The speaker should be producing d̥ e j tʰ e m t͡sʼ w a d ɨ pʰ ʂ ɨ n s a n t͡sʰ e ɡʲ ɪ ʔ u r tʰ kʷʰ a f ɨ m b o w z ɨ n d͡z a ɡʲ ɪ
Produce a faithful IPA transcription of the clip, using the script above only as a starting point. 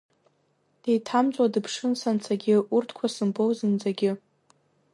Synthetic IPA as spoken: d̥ e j tʰ a m t͡sʼ w a d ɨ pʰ ʂ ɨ n s a n t͡sʰ a ɡʲ ɪ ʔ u r tʰ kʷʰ a s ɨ m b o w z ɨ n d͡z a ɡʲ ɪ